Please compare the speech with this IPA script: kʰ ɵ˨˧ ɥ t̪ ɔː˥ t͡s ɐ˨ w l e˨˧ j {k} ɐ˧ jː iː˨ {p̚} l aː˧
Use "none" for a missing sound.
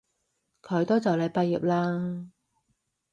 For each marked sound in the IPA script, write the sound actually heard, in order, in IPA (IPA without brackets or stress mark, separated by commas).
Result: p, p̚